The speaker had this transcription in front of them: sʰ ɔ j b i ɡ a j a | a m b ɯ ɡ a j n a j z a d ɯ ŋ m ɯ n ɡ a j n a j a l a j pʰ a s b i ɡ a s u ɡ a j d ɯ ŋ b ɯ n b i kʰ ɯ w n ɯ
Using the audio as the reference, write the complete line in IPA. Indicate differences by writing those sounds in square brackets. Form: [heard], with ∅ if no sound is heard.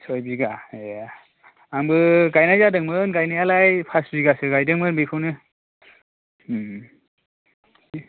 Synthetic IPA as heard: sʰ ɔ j b i ɡ a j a | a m b ɯ ɡ a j n a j z a d ɯ ŋ m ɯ n ɡ a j n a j a l a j pʰ a s b i ɡ a s [ɯ] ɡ a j d ɯ ŋ [m] ɯ n b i kʰ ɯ w n ɯ